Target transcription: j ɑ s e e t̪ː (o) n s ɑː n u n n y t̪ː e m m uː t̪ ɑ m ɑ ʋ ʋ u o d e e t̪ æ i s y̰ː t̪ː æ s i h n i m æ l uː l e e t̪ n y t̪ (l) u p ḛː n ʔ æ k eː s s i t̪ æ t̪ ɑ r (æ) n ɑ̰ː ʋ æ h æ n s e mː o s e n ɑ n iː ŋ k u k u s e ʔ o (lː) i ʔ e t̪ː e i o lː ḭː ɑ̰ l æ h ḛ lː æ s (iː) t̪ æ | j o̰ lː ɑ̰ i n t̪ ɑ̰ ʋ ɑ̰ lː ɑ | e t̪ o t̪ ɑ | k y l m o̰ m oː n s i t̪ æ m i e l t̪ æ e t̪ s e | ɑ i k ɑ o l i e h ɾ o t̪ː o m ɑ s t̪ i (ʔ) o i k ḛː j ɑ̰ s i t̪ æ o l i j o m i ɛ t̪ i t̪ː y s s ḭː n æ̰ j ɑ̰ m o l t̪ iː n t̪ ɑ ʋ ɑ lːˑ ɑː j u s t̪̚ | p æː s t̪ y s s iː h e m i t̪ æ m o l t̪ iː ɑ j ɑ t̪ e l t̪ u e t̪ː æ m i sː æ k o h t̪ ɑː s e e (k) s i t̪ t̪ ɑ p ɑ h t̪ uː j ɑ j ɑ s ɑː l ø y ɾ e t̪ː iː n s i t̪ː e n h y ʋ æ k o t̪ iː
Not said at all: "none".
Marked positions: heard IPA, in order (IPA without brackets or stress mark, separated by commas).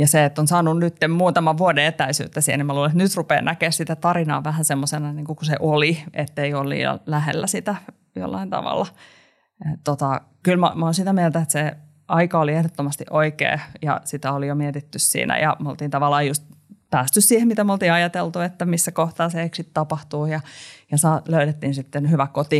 o, r, i, l, i, ʔ, k